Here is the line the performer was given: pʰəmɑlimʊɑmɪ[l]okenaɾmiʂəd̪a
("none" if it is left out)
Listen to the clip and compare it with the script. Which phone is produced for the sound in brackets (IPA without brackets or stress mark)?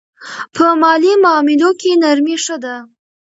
l